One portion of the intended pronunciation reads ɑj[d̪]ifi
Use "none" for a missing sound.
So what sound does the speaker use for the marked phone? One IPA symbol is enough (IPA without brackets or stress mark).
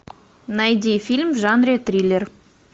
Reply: d̪